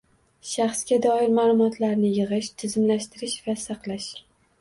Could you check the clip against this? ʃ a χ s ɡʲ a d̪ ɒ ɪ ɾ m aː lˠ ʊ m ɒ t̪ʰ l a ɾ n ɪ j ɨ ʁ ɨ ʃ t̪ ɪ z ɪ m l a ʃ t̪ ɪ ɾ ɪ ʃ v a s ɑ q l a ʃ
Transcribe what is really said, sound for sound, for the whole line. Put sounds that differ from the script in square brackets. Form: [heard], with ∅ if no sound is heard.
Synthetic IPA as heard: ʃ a χ s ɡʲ a d̪ ɒ ɪ ɾ m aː lˠ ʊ m ɒ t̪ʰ l a ɾ n ɪ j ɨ ʁ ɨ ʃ [t̪ʰ] ɪ z ɪ m l a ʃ t̪ ɪ ɾ ɪ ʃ v a s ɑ q l a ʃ